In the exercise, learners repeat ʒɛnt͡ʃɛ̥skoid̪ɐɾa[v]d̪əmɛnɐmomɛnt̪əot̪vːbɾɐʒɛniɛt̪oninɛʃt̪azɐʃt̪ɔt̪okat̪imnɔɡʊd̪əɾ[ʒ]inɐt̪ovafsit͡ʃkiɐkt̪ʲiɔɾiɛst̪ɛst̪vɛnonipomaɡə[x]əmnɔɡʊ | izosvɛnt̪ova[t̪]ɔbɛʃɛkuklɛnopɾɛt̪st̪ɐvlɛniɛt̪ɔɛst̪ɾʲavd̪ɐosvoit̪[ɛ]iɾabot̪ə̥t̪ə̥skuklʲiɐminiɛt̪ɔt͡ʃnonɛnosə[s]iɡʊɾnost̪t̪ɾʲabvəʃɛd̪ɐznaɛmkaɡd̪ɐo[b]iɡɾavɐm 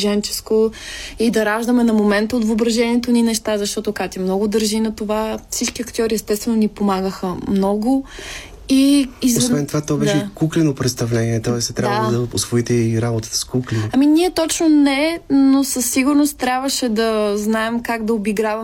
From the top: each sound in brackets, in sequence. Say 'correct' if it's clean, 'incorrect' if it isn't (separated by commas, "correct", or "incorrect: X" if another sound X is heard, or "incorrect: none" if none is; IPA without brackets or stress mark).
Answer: incorrect: ʒ, correct, correct, correct, correct, incorrect: sː, correct